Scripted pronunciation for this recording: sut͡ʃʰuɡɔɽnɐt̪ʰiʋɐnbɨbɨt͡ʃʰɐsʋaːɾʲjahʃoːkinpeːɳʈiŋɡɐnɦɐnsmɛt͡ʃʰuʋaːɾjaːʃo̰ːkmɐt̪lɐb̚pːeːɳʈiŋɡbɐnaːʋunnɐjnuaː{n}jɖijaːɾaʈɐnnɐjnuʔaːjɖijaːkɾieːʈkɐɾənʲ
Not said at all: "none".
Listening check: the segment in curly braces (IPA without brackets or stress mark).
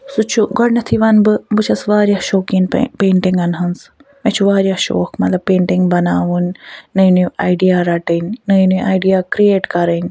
none